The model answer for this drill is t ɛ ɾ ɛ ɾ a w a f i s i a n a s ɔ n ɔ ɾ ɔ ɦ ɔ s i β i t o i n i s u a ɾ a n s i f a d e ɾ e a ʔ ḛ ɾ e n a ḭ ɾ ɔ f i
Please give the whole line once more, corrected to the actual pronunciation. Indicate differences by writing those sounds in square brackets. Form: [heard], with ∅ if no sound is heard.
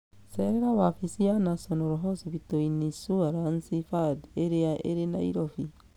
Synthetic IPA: [s] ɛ ɾ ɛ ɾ a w a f i s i a n a s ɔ n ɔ ɾ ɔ ɦ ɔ s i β i t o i n i s u a ɾ a n s i f a d e ɾ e a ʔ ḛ ɾ e n a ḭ ɾ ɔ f i